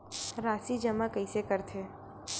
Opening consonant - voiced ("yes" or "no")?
yes